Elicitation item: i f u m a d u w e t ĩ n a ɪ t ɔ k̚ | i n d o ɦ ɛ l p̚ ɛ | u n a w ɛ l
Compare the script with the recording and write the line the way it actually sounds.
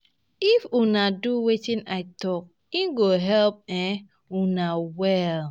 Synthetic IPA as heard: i f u n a d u w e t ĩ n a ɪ t ɔ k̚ | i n ɡ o ɦ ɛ l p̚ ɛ | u n a w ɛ l